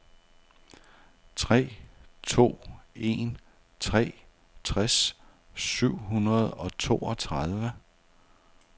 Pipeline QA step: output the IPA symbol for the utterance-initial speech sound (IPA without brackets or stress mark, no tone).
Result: t͡sʰ